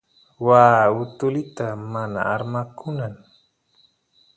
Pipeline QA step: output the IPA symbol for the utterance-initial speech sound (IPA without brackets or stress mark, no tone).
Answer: w